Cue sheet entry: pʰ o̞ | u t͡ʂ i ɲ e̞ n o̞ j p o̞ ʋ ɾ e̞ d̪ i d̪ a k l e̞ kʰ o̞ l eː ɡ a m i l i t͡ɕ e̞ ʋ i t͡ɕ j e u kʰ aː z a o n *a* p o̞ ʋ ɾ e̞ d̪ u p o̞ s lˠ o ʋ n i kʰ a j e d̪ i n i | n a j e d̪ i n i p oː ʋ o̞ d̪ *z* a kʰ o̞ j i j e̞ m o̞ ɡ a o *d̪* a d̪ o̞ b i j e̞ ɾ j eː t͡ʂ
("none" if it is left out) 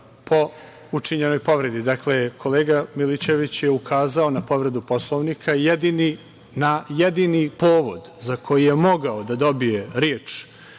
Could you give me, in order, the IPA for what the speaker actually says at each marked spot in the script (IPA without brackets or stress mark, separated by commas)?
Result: a, z, d̪